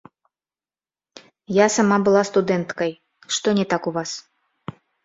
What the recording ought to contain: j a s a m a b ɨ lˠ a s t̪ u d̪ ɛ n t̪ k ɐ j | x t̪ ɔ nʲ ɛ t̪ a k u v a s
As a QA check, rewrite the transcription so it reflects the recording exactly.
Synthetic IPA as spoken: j a s a m a b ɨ lˠ a s t̪ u d̪ ɛ n t̪ k ɐ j | ʂ t̪ ɔ nʲ ɛ t̪ a k u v a s